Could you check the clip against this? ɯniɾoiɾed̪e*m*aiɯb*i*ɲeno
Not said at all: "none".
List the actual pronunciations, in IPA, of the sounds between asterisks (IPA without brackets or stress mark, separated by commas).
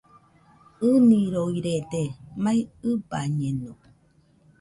m, a